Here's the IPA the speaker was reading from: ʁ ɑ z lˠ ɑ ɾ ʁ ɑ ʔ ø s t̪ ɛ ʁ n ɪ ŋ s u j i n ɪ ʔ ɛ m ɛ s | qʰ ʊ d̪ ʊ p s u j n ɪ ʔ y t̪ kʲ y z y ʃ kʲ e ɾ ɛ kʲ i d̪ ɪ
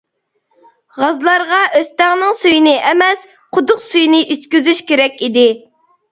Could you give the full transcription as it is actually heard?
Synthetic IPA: ʁ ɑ z lˠ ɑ ɾ ʁ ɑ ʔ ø s t̪ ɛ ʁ n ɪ ŋ s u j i n ɪ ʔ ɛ m ɛ s | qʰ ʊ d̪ ʊ q s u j n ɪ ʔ y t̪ kʲ y z y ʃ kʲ e ɾ ɛ kʲ i d̪ ɪ